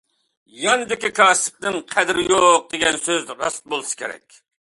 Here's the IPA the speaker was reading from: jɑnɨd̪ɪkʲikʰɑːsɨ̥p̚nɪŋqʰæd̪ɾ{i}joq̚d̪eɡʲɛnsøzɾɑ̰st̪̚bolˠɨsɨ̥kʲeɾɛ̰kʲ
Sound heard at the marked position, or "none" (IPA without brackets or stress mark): ɪ